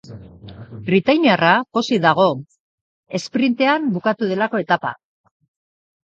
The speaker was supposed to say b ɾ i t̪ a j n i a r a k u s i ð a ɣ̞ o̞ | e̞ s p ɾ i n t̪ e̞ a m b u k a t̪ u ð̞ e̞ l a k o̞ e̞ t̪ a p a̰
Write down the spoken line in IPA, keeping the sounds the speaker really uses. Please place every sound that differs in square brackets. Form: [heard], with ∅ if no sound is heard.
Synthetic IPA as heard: b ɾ i t̪ a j n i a r a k [o] s i ð a ɣ̞ o̞ | e̞ s p ɾ i n t̪ e̞ a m b u k a t̪ u ð̞ e̞ l a k o̞ e̞ t̪ a p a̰